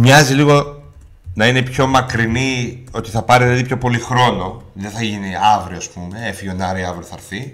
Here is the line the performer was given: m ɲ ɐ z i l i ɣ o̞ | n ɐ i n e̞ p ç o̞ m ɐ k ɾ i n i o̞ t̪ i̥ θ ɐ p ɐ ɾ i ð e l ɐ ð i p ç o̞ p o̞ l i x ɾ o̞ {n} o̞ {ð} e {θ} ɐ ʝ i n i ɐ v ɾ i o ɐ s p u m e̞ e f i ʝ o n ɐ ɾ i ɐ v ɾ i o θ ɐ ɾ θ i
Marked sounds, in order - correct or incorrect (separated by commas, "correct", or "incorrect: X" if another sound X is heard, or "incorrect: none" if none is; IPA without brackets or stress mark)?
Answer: correct, correct, correct